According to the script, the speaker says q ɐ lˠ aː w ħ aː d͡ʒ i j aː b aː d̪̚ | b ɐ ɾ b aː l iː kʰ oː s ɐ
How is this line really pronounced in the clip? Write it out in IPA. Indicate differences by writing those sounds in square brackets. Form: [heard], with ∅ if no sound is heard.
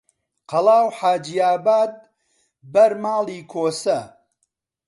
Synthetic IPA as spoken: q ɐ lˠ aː w ħ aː d͡ʒ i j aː b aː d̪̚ | b ɐ ɾ [m] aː l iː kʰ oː s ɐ